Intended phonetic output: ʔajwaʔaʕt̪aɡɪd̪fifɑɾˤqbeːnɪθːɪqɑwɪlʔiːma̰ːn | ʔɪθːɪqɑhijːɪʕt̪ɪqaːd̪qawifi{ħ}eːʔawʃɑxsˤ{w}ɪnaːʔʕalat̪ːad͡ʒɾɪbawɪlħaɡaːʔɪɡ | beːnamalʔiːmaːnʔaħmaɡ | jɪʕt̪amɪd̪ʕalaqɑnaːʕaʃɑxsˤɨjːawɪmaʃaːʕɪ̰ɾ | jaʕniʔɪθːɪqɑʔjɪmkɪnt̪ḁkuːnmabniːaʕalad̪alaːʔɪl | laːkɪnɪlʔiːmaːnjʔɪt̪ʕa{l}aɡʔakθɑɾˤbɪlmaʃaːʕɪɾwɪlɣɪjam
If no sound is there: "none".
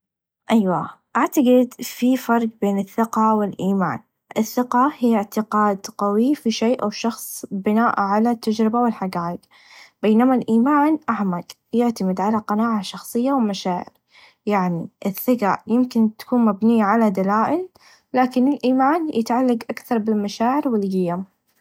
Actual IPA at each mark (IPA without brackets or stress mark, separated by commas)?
ʃ, b, lː